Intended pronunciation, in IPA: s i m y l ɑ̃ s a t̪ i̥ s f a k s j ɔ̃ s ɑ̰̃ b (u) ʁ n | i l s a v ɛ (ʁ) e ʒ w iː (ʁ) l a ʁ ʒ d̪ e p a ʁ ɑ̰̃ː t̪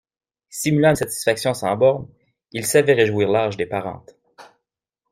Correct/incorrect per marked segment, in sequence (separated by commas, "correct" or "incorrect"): incorrect, correct, correct